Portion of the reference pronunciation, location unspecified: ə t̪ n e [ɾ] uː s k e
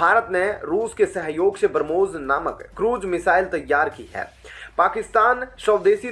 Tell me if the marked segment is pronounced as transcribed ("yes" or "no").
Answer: yes